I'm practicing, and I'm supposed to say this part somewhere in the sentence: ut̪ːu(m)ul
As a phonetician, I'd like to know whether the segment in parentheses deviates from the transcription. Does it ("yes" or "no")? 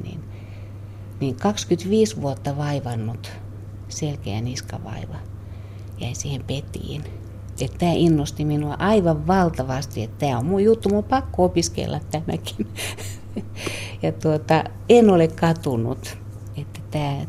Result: no